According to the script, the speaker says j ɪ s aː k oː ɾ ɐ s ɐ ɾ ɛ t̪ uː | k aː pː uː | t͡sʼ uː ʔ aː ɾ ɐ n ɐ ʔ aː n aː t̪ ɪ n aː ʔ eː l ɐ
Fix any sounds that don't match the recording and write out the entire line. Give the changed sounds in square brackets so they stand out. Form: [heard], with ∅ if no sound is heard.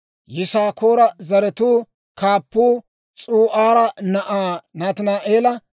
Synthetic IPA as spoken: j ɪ s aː k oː ɾ ɐ [z] ɐ ɾ ɛ t̪ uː | k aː pː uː | t͡sʼ uː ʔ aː ɾ ɐ n ɐ ʔ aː n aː t̪ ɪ n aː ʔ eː l ɐ